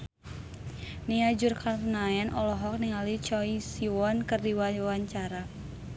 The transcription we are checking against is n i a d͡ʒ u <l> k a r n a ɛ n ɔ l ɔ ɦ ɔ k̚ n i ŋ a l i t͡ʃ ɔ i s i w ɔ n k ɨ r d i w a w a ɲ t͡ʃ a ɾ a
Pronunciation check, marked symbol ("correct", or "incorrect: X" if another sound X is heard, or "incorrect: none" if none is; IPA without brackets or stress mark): incorrect: r